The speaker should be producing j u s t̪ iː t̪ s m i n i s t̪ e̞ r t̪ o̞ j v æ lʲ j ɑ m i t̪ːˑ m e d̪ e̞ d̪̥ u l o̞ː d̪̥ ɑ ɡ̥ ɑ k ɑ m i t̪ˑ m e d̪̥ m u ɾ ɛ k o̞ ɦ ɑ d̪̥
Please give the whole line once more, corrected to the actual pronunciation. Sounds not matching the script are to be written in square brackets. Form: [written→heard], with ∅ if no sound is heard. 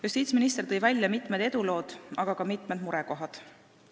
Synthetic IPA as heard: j u s t̪ iː t̪ s m i n i s t̪ e̞ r t̪ [o̞→ɤ̞] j v æ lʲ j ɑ m i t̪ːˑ m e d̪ e̞ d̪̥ u l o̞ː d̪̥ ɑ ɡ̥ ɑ k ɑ m i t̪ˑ m e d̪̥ m u ɾ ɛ k o̞ ɦ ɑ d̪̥